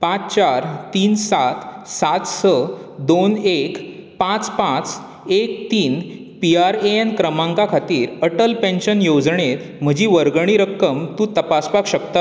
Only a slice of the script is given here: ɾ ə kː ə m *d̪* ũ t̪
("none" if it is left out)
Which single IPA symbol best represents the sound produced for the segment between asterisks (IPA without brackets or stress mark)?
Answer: t̪